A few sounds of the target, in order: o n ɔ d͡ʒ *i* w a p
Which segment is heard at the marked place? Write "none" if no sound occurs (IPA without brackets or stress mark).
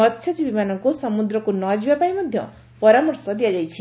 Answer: i